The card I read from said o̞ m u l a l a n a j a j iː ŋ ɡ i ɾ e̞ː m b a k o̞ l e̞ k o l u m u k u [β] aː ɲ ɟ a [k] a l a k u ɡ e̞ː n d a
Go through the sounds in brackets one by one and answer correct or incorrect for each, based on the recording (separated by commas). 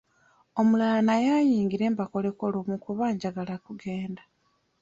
correct, incorrect